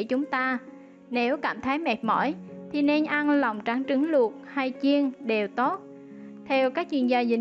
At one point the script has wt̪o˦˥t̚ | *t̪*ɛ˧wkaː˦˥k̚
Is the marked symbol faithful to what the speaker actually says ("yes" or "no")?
no